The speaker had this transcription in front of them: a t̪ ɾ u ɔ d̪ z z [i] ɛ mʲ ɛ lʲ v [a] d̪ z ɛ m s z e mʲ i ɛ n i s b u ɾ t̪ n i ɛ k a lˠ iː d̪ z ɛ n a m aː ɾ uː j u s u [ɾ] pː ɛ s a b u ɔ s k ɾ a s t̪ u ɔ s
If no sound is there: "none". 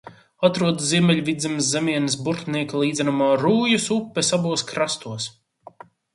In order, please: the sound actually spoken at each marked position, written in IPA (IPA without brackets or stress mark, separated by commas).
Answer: i, i, none